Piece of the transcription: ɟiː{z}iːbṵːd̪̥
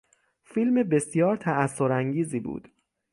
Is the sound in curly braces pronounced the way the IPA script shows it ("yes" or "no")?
yes